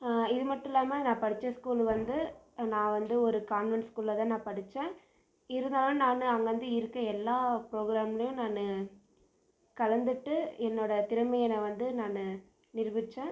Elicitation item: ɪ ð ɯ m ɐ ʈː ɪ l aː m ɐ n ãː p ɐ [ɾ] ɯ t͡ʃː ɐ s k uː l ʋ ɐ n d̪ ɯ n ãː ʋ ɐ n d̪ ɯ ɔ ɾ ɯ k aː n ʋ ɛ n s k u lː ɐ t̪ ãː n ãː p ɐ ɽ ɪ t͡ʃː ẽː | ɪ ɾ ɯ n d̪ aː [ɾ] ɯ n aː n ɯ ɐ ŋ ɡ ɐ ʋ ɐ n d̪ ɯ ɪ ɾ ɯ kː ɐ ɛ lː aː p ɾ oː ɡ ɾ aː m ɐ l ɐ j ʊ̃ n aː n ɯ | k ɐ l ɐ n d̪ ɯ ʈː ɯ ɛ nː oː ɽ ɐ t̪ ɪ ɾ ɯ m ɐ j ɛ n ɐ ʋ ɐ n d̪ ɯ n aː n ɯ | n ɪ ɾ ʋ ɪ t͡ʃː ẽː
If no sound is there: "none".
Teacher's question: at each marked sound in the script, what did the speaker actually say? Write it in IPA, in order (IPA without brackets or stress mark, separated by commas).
ɽ, l